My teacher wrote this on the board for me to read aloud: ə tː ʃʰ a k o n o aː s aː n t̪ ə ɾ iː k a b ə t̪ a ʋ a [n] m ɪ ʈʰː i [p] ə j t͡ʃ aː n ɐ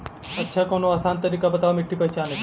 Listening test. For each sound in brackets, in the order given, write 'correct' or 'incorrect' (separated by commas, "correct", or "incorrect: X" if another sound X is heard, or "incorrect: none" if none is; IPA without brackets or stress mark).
incorrect: none, correct